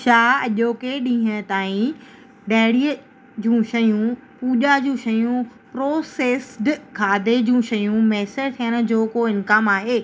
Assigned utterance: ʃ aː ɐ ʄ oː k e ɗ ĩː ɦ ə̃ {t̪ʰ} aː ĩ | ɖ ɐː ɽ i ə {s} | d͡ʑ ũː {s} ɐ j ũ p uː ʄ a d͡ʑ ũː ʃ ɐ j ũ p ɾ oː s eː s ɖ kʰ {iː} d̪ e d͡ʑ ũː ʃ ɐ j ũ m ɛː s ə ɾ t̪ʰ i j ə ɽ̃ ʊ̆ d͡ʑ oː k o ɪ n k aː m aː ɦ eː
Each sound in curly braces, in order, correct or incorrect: incorrect: t̪, incorrect: none, incorrect: ʃ, incorrect: aː

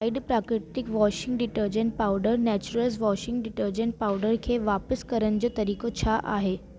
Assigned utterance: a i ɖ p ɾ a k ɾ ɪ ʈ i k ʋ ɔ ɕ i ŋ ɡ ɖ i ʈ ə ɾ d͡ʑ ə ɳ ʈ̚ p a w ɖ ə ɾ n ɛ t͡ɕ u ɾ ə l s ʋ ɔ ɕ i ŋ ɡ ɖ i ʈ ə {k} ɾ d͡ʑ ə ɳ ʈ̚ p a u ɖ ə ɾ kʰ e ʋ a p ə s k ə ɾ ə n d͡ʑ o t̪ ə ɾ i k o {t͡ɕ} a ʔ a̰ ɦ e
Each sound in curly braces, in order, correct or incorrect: incorrect: none, incorrect: t͡ɕʰ

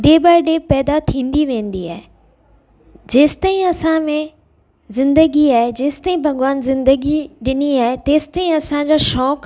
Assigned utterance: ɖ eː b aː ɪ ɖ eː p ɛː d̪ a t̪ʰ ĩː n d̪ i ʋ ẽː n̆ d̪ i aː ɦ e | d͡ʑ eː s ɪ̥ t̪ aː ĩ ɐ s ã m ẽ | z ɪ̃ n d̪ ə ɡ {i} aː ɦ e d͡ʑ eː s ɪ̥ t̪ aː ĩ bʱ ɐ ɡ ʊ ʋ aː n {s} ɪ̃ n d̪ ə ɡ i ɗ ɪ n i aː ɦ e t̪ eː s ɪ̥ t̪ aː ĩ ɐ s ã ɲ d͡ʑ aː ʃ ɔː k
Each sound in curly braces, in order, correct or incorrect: correct, incorrect: z

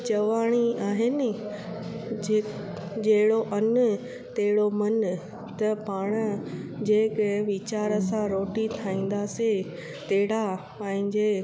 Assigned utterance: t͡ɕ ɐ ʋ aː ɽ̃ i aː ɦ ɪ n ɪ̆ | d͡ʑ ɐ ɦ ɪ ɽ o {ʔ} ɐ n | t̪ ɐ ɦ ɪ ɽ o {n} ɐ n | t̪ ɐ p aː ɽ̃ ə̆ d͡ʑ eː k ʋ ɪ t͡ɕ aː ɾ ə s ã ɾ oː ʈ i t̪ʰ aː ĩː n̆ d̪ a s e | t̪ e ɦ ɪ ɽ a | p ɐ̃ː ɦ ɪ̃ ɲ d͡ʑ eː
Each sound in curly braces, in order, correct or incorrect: correct, incorrect: m

